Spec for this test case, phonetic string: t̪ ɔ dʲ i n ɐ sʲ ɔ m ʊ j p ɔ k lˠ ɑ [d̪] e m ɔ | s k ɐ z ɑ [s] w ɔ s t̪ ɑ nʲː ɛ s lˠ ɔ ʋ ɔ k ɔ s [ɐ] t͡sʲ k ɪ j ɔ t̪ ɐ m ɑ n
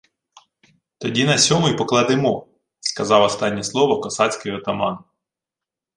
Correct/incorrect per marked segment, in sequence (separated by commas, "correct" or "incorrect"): correct, incorrect, incorrect